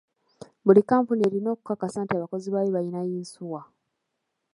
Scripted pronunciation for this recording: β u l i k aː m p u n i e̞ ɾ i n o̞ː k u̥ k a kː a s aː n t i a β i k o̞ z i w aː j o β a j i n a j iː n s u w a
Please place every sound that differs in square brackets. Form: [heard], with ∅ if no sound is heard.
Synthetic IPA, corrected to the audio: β u l i k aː m p u n i e̞ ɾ i n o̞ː k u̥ k a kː a s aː n t i a β [a] k o̞ z i [β] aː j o β a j i n a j iː n s u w a